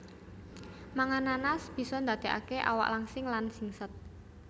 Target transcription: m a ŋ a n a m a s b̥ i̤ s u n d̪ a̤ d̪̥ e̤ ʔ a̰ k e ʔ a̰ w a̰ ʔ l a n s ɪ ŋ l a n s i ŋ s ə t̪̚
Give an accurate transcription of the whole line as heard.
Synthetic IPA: m a ŋ a n a n a s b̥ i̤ s ɔ n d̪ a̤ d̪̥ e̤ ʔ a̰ k e ʔ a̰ w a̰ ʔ l a ŋ s ɪ ŋ l a n s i ŋ s ə t̪̚